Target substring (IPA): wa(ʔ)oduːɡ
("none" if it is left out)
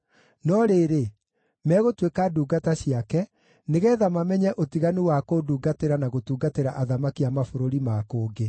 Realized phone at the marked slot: k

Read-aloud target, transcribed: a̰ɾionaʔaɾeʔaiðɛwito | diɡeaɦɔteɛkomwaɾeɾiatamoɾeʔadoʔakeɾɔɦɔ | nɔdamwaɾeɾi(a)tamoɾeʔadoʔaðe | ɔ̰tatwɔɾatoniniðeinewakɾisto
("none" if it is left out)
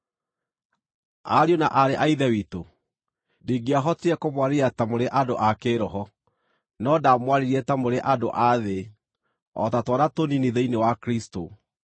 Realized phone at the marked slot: ɛ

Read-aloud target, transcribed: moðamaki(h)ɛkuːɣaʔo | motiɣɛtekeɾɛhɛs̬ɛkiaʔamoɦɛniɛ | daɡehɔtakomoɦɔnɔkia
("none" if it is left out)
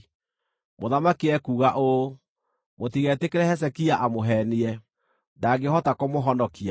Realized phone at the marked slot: none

